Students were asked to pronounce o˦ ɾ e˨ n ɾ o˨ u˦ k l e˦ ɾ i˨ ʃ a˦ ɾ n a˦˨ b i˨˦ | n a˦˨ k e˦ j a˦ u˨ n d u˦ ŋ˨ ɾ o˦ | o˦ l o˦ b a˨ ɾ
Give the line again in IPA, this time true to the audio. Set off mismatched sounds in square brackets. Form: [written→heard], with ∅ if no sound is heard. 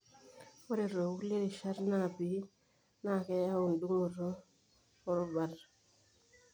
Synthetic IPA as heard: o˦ ɾ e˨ [n→∅] ɾ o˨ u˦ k l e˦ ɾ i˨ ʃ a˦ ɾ n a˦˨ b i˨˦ | n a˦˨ k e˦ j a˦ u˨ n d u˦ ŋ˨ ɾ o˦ | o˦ [l→ɾ] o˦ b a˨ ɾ

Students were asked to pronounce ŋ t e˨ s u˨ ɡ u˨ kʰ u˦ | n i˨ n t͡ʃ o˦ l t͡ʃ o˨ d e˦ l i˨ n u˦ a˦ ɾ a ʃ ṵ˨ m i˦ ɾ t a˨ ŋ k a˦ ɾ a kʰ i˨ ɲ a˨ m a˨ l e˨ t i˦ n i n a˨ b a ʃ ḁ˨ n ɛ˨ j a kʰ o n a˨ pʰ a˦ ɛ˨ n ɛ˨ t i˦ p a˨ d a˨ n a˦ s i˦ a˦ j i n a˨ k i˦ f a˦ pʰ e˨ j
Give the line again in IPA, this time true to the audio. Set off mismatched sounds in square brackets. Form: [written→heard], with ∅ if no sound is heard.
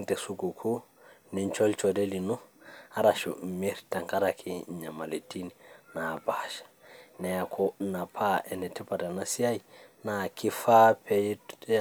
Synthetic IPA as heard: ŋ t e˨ s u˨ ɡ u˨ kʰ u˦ | n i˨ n t͡ʃ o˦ l t͡ʃ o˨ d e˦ l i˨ n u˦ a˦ ɾ a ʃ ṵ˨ m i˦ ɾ t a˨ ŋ k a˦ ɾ a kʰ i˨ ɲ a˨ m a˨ l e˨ t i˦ n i n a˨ b a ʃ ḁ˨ n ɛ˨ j a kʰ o n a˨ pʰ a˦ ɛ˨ n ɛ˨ t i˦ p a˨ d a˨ n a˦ s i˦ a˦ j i n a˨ k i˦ f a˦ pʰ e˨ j

